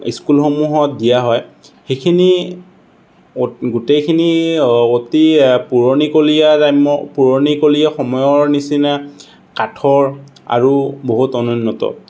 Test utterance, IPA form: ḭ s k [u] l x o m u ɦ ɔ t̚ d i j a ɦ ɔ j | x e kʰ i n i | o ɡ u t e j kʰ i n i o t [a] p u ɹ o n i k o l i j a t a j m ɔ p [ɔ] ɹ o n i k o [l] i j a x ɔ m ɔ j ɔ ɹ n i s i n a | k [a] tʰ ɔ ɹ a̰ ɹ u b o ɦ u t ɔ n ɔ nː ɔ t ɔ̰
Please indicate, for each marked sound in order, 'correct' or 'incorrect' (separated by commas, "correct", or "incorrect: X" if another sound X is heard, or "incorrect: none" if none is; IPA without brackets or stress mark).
correct, incorrect: i, incorrect: u, correct, correct